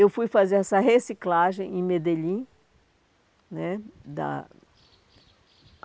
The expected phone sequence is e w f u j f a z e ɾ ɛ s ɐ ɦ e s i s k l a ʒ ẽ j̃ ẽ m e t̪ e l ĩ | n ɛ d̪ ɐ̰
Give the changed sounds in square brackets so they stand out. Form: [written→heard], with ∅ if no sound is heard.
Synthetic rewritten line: e w f u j f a z e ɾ ɛ s ɐ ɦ e s i [s→∅] k l a ʒ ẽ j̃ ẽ m e [t̪→d̪] e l ĩ | n ɛ d̪ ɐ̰